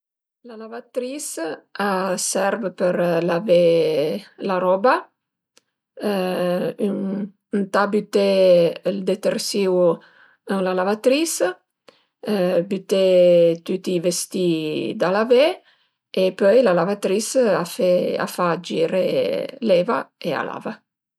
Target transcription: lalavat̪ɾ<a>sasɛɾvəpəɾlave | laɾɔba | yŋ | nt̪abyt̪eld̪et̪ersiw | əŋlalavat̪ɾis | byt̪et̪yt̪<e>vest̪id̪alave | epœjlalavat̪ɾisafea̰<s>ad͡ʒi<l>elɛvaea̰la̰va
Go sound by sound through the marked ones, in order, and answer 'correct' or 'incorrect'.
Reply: incorrect: i, incorrect: i, incorrect: f, incorrect: ɾ

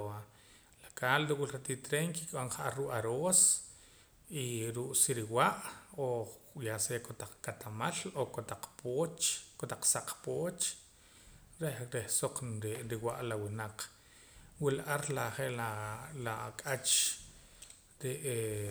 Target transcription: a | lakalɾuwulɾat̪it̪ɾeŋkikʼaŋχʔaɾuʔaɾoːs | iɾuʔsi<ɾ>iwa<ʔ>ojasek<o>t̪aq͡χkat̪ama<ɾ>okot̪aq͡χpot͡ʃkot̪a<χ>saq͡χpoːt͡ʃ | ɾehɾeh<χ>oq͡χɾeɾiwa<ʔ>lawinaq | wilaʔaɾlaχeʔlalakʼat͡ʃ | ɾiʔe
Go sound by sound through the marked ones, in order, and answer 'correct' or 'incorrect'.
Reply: correct, correct, correct, incorrect: l, incorrect: q͡χ, incorrect: s, correct

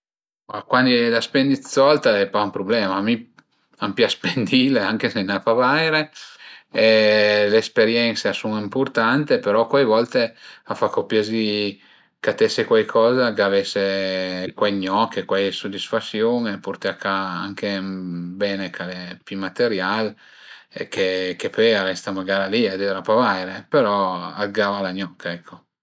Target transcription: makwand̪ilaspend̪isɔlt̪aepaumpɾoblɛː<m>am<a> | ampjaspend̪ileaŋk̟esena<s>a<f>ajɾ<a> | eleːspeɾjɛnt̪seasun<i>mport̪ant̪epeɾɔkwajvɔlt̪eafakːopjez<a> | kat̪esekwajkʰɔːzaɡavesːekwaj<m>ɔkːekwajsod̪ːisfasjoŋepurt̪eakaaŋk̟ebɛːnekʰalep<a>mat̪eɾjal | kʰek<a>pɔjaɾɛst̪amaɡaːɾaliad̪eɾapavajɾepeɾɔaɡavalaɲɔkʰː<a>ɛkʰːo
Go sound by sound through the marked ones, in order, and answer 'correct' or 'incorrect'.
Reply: correct, incorrect: i, incorrect: f, incorrect: v, incorrect: e, correct, incorrect: i, incorrect: ɲ, incorrect: i, incorrect: e, correct

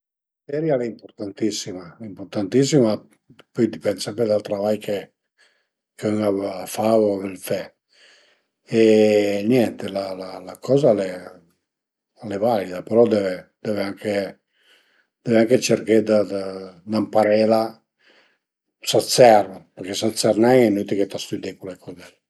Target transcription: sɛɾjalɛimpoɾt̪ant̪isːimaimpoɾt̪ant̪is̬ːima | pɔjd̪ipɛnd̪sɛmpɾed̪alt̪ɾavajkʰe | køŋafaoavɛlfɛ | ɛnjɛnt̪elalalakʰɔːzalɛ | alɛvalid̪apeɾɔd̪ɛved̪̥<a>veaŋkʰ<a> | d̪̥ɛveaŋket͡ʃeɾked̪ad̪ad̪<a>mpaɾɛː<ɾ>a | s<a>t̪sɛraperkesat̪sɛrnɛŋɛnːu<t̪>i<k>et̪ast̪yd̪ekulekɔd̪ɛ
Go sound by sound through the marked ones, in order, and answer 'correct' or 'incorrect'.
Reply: incorrect: ɛ, incorrect: e, correct, incorrect: l, correct, correct, correct

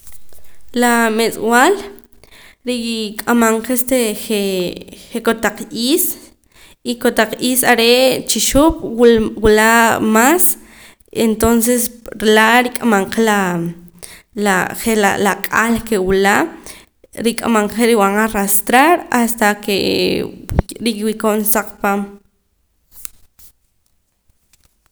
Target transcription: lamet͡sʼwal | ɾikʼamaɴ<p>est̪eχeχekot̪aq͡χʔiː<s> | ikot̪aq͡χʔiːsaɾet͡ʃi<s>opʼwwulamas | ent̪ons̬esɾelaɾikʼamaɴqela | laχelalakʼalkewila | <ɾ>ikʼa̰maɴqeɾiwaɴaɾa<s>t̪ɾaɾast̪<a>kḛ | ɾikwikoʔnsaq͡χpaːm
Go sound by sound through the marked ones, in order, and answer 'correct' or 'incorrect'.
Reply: incorrect: q, correct, incorrect: ʃ, correct, correct, correct

